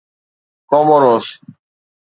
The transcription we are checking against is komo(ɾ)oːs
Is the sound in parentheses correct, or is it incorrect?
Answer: correct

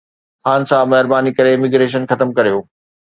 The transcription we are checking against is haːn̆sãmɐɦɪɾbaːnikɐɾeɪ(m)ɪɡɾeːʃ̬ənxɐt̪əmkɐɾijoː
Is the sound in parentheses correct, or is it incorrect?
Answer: correct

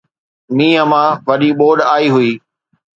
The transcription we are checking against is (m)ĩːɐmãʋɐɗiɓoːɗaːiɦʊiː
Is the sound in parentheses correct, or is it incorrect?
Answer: correct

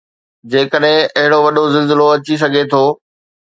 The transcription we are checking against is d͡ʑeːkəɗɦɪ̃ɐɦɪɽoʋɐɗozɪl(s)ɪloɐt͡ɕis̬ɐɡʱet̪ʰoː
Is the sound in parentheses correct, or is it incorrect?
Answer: incorrect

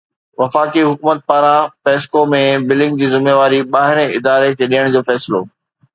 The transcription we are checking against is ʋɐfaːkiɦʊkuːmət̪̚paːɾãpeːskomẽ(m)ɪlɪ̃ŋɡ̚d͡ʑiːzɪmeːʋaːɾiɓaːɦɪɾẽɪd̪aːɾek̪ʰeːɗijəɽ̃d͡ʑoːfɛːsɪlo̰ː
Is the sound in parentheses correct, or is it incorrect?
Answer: incorrect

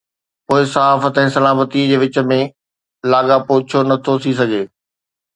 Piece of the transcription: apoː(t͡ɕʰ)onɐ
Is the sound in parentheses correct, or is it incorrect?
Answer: correct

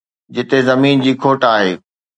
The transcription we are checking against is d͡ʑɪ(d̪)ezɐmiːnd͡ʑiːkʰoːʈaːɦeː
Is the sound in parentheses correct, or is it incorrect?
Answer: incorrect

